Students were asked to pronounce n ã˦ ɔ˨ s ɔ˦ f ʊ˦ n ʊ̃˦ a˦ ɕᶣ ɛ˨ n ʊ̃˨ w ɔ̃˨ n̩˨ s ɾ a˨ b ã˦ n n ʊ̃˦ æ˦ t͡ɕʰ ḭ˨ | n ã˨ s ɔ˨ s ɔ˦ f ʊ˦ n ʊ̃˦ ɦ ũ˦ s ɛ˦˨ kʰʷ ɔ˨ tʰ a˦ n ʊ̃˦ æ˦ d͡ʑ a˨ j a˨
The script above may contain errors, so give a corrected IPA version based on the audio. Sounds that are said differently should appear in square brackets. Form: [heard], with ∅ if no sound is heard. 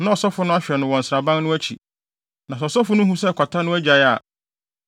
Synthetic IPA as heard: n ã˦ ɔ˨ s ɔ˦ f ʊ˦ n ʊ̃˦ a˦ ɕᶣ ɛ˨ n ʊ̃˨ w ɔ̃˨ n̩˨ s ɾ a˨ b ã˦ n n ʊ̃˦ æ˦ t͡ɕʰ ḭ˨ | n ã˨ s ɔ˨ s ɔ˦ f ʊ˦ n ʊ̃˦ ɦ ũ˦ s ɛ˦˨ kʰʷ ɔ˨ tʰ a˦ n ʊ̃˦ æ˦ d͡ʑ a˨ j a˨